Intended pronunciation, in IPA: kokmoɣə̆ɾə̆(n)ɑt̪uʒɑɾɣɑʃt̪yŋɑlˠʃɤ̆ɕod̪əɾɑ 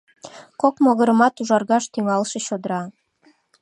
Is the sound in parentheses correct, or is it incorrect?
incorrect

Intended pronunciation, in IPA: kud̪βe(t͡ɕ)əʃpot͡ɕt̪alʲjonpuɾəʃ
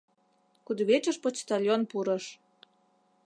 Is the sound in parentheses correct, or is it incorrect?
correct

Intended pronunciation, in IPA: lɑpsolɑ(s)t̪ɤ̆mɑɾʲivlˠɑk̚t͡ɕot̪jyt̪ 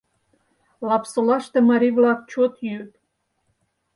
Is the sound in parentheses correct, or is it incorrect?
incorrect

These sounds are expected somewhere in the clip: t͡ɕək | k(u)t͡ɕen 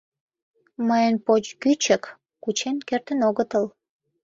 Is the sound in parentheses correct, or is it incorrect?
correct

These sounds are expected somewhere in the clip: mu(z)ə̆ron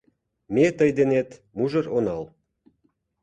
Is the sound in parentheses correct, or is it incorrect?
incorrect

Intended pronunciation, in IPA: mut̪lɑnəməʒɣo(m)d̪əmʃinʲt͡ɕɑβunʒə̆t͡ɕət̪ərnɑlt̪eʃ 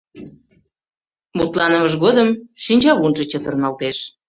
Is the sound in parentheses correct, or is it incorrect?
incorrect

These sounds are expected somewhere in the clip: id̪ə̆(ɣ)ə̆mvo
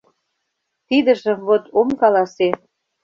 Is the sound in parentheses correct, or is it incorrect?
incorrect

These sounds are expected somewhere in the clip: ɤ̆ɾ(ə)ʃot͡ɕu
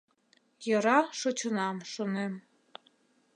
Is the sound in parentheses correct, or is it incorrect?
incorrect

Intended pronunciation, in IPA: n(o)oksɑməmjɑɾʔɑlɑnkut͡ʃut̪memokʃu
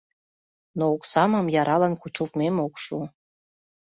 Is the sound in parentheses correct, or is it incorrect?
correct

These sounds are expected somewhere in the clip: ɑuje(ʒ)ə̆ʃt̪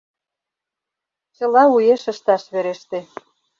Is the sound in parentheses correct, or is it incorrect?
incorrect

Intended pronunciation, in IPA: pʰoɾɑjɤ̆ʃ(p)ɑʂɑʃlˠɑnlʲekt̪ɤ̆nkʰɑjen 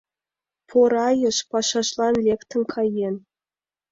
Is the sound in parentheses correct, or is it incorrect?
correct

